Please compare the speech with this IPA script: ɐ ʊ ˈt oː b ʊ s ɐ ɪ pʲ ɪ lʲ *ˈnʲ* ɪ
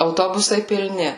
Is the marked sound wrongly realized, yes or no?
no